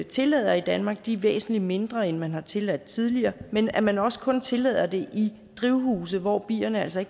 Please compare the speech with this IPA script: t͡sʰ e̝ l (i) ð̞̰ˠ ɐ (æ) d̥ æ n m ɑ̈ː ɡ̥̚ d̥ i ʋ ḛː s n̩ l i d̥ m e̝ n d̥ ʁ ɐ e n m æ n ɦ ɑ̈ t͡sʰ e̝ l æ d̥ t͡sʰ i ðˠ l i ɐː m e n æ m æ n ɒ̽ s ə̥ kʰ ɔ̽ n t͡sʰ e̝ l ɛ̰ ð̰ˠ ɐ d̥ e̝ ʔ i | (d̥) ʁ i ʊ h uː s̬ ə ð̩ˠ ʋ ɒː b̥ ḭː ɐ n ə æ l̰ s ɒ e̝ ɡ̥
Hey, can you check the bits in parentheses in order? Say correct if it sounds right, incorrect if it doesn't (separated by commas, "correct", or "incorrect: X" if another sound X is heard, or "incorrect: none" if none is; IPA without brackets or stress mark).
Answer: incorrect: ɛ, incorrect: i, correct